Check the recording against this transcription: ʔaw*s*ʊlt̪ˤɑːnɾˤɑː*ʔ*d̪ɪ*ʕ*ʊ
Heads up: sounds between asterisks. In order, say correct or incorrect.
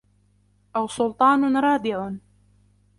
correct, incorrect, correct

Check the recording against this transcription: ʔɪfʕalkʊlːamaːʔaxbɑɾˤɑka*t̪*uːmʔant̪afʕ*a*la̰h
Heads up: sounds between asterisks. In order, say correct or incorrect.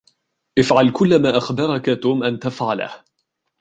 correct, correct

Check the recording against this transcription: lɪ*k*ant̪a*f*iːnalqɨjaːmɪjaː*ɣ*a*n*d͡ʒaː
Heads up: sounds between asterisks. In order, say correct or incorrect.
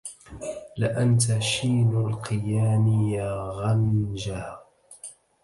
incorrect, incorrect, correct, correct

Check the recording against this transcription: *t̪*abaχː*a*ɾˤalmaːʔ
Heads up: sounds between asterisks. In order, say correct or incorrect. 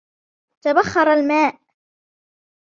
correct, incorrect

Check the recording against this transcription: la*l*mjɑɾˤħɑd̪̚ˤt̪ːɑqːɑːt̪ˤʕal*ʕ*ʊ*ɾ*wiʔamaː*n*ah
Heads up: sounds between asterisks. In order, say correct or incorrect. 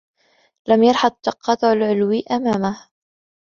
incorrect, correct, incorrect, incorrect

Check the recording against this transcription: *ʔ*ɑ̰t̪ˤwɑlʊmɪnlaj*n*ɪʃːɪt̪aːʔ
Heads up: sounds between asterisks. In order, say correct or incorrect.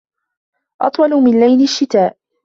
correct, correct

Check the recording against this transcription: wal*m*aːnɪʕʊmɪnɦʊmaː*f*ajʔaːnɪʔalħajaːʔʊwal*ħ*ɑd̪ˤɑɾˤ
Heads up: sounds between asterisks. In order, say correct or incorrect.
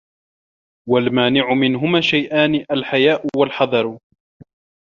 correct, incorrect, correct

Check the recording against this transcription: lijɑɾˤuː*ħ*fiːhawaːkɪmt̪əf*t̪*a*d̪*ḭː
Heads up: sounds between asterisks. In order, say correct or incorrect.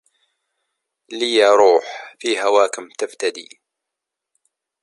correct, correct, correct

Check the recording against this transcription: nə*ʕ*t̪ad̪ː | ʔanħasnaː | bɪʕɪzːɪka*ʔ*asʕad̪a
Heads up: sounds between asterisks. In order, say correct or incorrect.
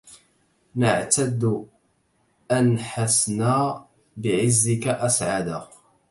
correct, correct

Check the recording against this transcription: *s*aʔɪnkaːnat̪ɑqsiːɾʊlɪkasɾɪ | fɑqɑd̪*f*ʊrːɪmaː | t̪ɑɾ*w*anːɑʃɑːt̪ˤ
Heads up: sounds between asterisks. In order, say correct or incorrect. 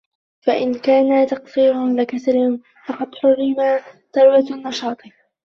incorrect, incorrect, correct

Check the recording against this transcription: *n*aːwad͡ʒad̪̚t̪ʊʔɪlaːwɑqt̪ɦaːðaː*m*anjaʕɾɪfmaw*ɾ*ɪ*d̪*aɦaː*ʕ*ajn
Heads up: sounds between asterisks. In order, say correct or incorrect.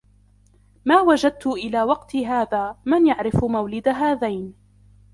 incorrect, correct, incorrect, correct, incorrect

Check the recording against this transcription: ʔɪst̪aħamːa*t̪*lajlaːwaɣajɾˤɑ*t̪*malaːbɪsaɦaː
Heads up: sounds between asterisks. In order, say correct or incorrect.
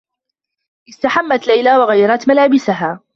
correct, correct

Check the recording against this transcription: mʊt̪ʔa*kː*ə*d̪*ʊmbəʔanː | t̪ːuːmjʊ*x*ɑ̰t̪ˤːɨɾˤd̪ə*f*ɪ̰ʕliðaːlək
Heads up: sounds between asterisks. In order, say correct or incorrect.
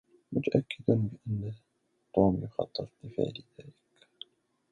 correct, correct, correct, correct

